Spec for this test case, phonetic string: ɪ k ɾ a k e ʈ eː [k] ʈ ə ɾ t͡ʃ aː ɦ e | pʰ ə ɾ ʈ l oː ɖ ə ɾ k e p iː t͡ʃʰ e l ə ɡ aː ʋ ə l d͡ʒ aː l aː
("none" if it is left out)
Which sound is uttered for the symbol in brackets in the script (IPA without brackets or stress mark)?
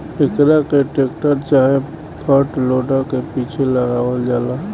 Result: k